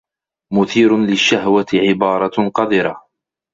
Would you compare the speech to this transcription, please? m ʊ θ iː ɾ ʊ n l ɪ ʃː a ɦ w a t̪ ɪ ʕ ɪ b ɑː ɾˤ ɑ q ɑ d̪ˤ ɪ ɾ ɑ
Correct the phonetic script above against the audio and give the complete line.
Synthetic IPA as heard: m ʊ θ iː ɾ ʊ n l ɪ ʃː a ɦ w a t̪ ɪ ʕ ɪ b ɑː ɾˤ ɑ q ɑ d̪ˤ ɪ ɾ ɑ